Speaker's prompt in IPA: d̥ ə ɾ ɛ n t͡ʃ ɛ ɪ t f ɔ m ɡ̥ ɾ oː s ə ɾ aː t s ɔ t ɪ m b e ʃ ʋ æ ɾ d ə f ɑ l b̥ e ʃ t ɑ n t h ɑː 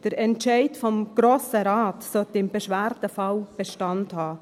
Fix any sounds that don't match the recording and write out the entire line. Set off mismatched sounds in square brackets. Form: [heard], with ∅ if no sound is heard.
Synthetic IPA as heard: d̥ ə ɾ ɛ n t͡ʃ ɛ ɪ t f ɔ m ɡ̥ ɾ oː s ə ɾ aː t s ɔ t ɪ m b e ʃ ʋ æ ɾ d ə f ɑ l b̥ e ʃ t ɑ n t h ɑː